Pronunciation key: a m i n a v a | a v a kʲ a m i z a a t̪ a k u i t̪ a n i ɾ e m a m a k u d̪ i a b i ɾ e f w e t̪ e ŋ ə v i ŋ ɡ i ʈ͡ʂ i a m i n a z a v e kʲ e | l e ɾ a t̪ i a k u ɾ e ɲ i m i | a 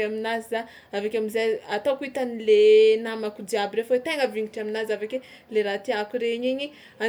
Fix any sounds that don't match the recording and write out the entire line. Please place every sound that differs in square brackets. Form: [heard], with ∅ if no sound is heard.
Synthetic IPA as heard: a m i n a [z] a | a v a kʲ a m i z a a t̪ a k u i t̪ a n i [l] e [n] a m a k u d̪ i a b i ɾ e f w e t̪ e ŋ ə v i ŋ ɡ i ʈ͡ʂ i a m i n a z a v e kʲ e | l e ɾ a t̪ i a k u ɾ e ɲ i [ɲ] i | a